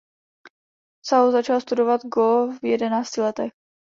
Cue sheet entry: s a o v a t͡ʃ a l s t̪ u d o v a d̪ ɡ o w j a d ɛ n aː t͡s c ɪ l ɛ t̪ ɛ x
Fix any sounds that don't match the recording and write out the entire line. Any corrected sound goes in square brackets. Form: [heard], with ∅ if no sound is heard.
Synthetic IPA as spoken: s a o [z] a t͡ʃ a l s t̪ u d o v a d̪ ɡ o [v] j [ɛ] d ɛ n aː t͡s c ɪ l ɛ t̪ ɛ x